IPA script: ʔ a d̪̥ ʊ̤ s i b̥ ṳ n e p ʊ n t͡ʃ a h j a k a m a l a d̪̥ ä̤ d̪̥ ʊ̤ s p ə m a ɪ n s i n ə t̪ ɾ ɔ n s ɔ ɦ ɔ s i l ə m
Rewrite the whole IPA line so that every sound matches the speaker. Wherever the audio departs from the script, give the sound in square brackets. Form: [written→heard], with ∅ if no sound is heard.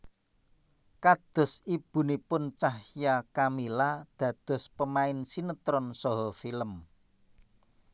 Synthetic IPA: [ʔ→k] a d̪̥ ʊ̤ s i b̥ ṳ n [e→i] p ʊ n t͡ʃ a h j a k a m [a→i] l a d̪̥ ä̤ d̪̥ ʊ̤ s p ə m a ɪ n s i n ə t̪ ɾ ɔ n s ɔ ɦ ɔ [s→f] i l ə m